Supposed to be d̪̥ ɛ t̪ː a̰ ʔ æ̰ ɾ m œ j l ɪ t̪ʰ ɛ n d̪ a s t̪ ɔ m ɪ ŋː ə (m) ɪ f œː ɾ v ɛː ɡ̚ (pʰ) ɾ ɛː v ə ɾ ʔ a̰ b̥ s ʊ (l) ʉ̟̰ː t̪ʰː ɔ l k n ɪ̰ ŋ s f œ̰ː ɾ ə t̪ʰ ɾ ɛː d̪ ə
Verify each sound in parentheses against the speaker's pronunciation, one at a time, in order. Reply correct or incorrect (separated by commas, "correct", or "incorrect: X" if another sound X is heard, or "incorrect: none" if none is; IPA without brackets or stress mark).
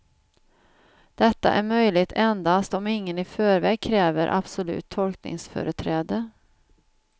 incorrect: n, incorrect: kʰ, correct